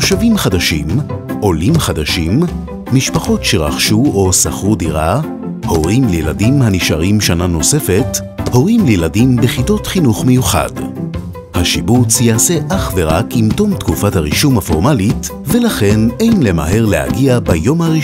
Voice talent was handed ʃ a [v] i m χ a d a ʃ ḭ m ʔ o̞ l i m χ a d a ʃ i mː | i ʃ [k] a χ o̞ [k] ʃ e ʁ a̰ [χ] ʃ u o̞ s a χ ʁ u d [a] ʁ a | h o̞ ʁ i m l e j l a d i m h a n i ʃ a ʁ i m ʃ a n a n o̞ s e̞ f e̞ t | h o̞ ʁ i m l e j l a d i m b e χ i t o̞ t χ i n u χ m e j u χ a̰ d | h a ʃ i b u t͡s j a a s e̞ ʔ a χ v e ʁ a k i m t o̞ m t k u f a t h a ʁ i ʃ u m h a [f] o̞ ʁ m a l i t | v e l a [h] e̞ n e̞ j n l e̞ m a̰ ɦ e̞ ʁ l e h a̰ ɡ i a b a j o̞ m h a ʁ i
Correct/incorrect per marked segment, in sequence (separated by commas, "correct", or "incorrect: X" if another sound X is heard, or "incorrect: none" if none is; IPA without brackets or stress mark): correct, incorrect: p, incorrect: t, correct, incorrect: i, correct, incorrect: χ